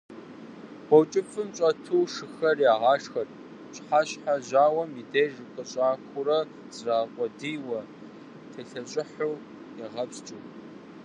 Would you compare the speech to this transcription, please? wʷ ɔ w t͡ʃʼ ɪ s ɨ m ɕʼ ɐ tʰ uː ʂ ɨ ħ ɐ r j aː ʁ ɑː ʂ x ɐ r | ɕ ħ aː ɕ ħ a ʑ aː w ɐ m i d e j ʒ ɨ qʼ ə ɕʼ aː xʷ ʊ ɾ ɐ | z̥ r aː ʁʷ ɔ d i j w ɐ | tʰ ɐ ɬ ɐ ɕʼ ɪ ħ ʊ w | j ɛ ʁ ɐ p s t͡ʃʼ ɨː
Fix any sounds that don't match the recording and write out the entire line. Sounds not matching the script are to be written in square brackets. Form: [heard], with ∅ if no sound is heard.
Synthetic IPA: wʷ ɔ w t͡ʃʼ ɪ [f] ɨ m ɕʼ ɐ tʰ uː ʂ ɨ [x] ɐ r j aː ʁ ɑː ʂ x ɐ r | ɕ ħ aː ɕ ħ a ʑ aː w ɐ m i d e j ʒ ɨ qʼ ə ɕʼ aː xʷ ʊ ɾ ɐ | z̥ r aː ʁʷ ɔ d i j w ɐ | tʰ ɐ ɬ ɐ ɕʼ ɪ ħ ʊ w | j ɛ ʁ ɐ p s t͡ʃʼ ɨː

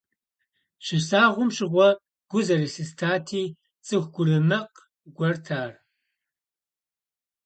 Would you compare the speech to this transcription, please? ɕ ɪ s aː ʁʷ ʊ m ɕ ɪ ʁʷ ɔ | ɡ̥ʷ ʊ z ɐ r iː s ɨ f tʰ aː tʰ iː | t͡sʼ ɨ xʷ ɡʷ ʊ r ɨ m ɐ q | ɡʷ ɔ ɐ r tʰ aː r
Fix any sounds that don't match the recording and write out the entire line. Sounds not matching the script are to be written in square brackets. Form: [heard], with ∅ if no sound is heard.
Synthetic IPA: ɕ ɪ s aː ʁʷ ʊ m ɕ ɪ ʁʷ ɔ | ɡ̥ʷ ʊ z ɐ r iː s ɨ [s] tʰ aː tʰ iː | t͡sʼ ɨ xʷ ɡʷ ʊ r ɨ m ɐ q | ɡʷ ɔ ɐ r tʰ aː r

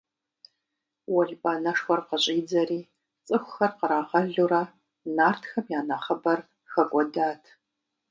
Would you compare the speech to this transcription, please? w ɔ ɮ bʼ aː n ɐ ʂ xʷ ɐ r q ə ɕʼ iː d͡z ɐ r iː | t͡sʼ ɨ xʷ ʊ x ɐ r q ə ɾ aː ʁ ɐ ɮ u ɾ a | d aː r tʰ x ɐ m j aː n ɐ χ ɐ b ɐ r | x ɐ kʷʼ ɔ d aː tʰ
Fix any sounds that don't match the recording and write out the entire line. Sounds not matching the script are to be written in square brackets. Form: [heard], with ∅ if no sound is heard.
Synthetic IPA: w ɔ ɮ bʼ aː n ɐ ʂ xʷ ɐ r q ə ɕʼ iː d͡z ɐ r iː | t͡sʼ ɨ xʷ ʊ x ɐ r q ə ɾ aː ʁ ɐ ɮ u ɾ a | [n] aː r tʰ x ɐ m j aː n ɐ χ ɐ b ɐ r | x ɐ kʷʼ ɔ d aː tʰ

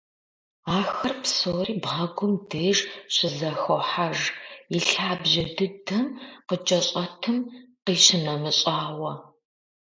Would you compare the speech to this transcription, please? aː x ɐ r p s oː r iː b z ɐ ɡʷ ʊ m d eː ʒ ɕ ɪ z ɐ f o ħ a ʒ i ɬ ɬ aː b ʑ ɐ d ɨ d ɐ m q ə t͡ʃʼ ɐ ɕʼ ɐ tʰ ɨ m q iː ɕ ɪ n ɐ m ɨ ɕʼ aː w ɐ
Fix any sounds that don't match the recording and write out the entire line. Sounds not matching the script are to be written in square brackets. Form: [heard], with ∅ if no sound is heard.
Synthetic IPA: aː x ɐ r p s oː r iː b [ʁ] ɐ ɡʷ ʊ m d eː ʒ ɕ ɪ z ɐ [x] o ħ a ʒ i ɬ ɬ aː b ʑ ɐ d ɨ d ɐ m q ə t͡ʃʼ ɐ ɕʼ ɐ tʰ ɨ m q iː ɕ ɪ n ɐ m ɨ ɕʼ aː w ɐ

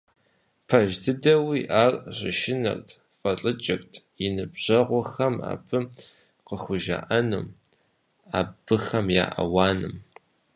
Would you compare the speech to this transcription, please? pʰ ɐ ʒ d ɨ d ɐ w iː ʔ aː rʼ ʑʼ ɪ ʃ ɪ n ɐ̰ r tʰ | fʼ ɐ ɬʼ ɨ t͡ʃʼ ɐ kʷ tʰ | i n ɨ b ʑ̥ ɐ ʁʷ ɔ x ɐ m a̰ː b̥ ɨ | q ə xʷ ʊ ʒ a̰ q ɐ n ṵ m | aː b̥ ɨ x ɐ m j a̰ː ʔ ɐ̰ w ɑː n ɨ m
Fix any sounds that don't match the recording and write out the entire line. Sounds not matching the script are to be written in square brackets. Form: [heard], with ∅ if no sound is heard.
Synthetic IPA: pʰ ɐ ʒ d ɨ d ɐ w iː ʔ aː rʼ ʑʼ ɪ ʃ ɪ n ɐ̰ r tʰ | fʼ ɐ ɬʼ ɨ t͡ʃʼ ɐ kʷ tʰ | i n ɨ b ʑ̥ ɐ ʁʷ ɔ x ɐ m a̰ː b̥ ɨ | q ə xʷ ʊ ʒ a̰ [ʔ] ɐ n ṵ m | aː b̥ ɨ x ɐ m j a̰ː ʔ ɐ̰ w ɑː n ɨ m

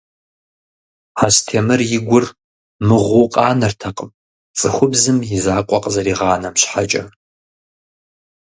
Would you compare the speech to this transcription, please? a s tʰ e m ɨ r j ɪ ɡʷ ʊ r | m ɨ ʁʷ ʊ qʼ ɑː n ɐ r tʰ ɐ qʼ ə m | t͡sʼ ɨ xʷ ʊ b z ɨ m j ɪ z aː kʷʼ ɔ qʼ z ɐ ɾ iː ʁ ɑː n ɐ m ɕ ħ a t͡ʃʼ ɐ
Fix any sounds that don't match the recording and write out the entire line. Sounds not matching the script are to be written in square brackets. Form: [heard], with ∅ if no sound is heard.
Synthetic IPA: a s tʰ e m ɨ r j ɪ ɡʷ ʊ r | m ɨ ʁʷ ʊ qʼ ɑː n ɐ r tʰ ɐ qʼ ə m | t͡sʼ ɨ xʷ ʊ b z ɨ m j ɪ z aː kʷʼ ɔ qʼ z ɐ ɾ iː ʁ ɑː n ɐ m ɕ ħ a t͡ʃʼ ɐ

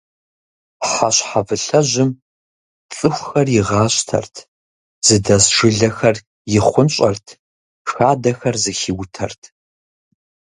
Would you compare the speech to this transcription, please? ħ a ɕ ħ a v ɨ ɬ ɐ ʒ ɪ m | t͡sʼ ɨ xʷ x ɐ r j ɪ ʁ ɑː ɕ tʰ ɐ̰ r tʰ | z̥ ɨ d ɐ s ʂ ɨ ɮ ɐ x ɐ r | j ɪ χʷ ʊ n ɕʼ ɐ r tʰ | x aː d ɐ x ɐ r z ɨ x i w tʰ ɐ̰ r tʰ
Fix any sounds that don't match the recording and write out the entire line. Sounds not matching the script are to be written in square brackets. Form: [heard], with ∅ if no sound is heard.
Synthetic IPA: ħ a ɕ ħ a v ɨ ɬ ɐ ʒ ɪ m | t͡sʼ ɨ xʷ x ɐ r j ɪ ʁ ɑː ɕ tʰ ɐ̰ r tʰ | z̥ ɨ d ɐ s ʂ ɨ ɮ ɐ x ɐ r | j ɪ χʷ ʊ n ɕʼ ɐ r tʰ | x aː d ɐ x ɐ r z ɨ x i w tʰ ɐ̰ r tʰ

